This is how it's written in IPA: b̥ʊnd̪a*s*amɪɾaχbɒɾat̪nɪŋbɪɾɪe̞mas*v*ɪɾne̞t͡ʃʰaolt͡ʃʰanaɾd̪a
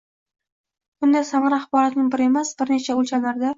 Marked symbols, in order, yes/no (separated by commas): yes, no